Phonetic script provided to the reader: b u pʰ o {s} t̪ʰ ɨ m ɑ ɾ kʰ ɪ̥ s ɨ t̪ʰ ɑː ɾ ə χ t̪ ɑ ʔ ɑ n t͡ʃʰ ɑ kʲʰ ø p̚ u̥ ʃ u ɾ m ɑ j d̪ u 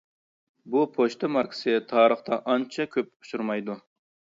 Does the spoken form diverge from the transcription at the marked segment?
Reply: yes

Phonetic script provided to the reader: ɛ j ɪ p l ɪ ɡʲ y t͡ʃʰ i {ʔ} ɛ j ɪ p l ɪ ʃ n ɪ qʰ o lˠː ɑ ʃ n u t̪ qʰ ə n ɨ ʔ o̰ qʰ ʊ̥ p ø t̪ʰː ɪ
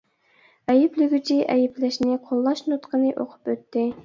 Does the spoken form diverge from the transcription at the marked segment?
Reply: no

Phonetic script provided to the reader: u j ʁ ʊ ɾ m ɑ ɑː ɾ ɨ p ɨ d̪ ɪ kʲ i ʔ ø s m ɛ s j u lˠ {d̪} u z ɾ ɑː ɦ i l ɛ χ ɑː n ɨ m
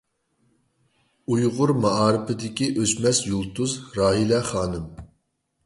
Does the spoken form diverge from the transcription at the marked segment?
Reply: yes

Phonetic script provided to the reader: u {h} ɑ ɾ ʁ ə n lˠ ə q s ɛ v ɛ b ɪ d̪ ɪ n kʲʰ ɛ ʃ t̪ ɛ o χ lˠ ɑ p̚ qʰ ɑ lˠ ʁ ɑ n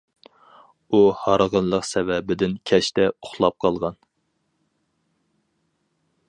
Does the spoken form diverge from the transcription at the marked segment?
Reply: no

